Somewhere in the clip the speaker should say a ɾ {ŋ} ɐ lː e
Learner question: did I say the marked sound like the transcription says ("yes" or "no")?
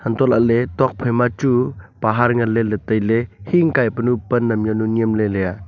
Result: yes